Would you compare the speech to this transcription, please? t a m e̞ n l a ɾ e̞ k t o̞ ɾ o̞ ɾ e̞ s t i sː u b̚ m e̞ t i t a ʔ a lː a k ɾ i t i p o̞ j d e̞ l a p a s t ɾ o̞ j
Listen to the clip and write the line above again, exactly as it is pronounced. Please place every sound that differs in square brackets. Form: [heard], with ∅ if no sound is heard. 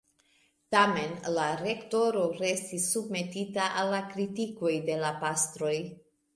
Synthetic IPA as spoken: t a m e̞ n l a ɾ e̞ k t o̞ ɾ o̞ ɾ e̞ s t i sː u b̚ m e̞ t i t a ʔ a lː a k ɾ i t i [k] o̞ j d e̞ l a p a s t ɾ o̞ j